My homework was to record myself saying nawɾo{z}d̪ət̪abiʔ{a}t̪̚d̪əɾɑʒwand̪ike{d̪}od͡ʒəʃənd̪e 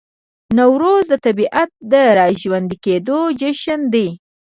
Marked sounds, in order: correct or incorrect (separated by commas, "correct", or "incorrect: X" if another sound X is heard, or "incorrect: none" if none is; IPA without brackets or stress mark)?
correct, correct, correct